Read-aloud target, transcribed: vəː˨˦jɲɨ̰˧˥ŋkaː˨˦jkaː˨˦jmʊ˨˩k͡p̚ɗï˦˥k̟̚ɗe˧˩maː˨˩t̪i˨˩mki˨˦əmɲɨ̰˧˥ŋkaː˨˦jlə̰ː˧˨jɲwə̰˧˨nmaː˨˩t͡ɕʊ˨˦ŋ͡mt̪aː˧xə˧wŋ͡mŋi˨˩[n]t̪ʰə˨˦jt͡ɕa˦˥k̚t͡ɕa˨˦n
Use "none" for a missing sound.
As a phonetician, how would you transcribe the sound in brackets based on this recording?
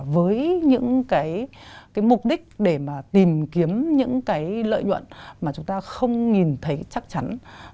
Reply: n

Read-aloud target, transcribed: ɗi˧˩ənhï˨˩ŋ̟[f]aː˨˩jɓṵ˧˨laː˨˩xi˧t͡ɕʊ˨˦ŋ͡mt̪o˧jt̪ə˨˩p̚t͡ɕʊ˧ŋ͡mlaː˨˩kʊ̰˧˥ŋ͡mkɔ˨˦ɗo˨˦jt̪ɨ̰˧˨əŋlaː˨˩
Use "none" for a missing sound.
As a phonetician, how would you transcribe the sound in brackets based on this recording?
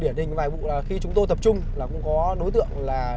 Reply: v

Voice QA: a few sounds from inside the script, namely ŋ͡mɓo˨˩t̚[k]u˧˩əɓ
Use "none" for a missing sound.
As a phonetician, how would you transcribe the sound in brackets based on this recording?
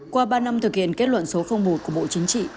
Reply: k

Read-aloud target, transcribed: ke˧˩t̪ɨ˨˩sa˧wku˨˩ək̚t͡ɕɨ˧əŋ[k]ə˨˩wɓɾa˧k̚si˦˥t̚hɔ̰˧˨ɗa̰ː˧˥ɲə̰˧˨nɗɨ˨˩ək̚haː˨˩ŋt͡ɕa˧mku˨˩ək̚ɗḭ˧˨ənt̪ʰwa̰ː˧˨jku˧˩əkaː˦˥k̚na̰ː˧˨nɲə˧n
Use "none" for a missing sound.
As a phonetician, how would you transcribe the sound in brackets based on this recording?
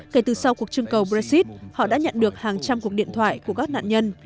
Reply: k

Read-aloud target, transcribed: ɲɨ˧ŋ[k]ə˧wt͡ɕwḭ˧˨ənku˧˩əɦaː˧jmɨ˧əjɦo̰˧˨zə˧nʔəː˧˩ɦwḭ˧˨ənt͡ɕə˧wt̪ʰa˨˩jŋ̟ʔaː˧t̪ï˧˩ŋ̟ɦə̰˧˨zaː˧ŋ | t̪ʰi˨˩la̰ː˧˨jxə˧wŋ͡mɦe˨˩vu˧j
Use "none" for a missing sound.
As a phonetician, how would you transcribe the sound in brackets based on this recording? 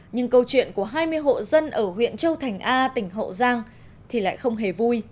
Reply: k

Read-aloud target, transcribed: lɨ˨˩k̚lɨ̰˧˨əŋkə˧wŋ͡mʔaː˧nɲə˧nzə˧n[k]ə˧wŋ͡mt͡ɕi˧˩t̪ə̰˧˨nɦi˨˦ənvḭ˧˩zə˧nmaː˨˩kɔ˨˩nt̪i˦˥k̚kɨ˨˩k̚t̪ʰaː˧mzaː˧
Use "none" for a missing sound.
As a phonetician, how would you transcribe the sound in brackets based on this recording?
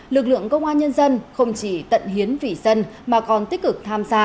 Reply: x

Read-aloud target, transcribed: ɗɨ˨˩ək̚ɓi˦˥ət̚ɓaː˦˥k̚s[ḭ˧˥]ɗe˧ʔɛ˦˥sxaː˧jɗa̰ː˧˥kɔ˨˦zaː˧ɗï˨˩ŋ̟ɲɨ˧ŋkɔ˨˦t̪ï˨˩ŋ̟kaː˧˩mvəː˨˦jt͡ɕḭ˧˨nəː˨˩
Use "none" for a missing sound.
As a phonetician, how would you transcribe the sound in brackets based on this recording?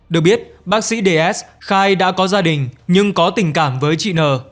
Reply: ḭ˧˥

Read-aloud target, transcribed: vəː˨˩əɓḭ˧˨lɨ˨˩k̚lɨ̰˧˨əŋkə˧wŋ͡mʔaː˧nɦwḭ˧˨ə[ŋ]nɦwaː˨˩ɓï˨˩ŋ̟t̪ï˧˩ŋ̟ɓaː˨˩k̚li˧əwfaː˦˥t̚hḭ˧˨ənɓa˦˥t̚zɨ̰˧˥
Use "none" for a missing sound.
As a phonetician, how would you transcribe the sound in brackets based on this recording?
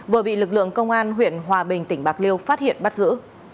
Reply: none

